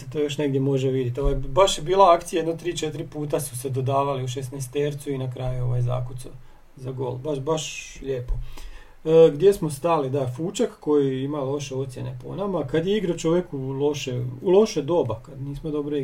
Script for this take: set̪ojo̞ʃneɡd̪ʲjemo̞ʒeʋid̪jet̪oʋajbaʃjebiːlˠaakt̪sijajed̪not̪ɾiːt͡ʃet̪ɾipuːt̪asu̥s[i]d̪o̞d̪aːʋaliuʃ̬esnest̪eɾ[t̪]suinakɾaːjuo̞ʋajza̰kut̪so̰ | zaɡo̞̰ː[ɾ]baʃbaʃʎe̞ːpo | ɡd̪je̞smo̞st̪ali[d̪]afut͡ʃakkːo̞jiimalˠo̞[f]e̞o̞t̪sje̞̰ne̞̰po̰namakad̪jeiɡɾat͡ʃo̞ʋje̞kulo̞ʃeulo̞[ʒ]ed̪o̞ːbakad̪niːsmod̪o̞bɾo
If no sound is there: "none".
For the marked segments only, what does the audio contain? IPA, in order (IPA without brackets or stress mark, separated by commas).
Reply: e, t̪, l, d̪, ʃ, ʃ